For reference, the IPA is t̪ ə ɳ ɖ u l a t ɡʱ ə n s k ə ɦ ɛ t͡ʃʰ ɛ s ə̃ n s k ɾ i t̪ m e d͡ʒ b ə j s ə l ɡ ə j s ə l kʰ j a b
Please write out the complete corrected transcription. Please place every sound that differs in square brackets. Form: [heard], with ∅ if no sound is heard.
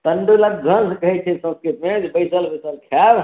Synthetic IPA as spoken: t̪ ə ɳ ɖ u l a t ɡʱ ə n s k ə ɦ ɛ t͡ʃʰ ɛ s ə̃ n s k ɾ i t̪ m e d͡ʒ b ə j s ə l [b] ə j s ə l kʰ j a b